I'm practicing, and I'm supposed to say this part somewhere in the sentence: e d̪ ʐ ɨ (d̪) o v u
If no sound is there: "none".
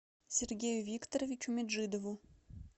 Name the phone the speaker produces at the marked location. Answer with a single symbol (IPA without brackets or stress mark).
d̪